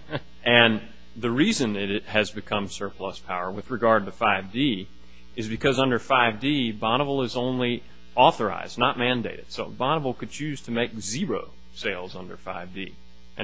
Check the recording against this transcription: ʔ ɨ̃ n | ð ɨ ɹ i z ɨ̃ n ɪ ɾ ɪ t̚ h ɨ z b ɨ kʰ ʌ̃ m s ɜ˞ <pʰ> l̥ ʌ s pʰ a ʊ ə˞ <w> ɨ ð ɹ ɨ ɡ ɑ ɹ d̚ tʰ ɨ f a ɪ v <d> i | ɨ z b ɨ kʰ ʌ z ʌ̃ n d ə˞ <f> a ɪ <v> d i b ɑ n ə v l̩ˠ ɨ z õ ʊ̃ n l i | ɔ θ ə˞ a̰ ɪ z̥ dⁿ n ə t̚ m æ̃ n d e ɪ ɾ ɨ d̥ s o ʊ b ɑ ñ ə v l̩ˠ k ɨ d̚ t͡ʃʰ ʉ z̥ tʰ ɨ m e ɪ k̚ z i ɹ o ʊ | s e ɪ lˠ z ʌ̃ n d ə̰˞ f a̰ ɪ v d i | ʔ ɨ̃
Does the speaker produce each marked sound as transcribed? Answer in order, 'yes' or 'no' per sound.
yes, yes, yes, yes, yes

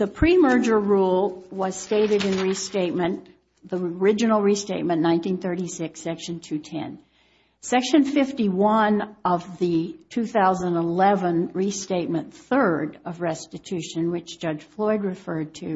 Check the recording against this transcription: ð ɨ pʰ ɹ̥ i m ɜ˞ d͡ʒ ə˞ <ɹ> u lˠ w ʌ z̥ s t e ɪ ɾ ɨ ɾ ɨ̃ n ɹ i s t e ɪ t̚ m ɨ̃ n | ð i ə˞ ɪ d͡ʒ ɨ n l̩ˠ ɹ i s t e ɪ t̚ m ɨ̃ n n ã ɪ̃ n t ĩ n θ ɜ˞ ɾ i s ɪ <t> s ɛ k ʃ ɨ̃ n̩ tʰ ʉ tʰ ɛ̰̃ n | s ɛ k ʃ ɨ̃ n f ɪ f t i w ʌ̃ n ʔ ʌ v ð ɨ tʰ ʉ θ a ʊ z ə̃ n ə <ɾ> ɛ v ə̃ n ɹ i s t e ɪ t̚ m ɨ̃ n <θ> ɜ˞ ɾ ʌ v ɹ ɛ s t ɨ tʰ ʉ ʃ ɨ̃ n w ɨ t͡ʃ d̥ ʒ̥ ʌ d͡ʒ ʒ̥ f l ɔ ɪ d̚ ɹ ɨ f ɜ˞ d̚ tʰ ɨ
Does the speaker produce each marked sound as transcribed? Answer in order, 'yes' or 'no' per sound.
yes, no, no, yes

